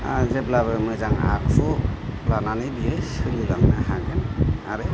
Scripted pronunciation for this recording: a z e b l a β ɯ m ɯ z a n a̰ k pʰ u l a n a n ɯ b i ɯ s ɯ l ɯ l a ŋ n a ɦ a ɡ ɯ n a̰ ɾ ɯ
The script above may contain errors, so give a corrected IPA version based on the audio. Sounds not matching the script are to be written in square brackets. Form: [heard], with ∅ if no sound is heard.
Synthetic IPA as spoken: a z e b l a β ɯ m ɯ z a [ŋ] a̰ k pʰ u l a n a n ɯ b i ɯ s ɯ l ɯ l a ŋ n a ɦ a ɡ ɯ n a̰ ɾ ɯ